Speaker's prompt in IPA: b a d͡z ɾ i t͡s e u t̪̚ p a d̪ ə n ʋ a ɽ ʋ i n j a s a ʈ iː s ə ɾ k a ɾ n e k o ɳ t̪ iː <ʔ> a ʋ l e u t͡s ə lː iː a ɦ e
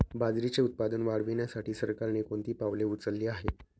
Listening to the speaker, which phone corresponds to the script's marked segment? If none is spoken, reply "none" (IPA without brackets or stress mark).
p